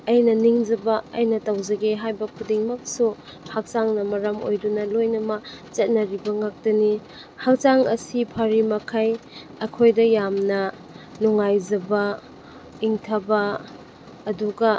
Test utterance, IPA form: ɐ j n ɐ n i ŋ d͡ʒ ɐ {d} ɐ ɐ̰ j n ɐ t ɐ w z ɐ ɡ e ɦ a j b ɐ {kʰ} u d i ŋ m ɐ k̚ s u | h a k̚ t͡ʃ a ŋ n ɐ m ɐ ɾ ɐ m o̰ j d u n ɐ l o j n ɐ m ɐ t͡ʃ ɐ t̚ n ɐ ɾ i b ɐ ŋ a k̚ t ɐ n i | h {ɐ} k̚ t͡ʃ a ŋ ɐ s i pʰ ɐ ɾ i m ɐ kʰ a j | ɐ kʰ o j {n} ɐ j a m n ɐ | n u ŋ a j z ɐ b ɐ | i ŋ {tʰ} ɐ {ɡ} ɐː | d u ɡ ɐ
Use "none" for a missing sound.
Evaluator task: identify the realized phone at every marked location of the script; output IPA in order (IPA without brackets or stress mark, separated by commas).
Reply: b, kʰ, a, d, tʰ, b